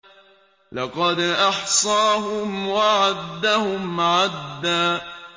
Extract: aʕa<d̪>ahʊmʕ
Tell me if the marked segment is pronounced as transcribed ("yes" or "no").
no